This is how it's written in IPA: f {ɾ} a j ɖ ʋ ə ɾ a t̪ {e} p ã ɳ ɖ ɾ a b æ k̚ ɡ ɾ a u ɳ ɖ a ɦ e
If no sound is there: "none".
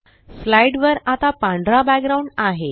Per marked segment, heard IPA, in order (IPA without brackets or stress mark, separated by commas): l, a